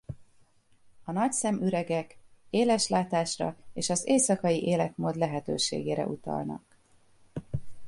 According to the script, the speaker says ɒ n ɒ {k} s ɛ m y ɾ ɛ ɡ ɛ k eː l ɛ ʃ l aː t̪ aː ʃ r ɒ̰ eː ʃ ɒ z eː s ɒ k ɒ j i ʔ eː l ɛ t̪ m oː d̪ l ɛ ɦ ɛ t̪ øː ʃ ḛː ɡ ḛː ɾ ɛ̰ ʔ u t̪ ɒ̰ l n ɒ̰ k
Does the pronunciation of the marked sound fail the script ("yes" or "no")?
yes